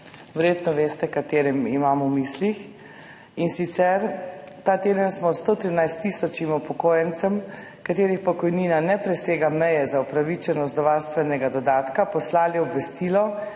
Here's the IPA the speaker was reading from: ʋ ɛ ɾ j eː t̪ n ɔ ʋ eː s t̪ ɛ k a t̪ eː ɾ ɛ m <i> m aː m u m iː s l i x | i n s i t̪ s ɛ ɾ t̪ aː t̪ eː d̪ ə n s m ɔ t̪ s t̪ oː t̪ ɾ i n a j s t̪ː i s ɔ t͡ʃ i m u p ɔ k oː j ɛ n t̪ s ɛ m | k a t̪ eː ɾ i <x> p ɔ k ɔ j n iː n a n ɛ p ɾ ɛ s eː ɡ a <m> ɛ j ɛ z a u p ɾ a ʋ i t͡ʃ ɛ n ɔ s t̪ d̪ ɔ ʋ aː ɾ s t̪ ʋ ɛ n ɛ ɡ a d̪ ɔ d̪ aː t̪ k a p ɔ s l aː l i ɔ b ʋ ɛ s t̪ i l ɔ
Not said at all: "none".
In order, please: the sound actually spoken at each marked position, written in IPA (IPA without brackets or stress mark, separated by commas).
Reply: i, x, m